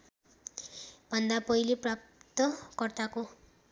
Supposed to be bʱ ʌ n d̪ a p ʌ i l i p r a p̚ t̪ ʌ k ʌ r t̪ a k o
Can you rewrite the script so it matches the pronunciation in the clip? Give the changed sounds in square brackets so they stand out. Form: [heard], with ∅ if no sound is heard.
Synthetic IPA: bʱ ʌ n d̪ a p ʌ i l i p r a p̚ t̪ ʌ k ʌ r t̪ a k o